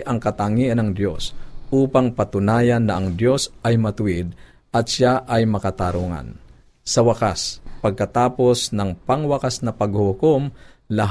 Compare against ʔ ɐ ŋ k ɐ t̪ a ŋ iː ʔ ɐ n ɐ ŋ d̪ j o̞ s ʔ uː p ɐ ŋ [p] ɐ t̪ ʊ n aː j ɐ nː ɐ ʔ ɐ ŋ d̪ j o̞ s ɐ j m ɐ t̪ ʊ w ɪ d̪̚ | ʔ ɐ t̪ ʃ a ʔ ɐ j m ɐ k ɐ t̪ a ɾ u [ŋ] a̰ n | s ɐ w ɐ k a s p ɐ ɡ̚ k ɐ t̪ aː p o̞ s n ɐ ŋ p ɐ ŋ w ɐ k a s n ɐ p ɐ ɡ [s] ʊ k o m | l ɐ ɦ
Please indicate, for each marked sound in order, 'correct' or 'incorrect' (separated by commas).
correct, correct, incorrect